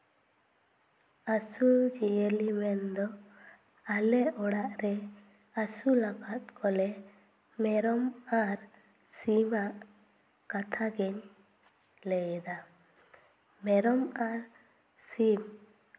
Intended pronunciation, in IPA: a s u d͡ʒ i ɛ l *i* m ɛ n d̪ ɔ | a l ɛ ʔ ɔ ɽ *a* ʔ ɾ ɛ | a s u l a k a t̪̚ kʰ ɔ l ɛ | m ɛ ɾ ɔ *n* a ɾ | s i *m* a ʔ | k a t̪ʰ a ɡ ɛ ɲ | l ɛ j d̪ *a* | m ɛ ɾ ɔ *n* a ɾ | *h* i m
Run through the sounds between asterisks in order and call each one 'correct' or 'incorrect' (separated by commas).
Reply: correct, correct, incorrect, correct, correct, incorrect, incorrect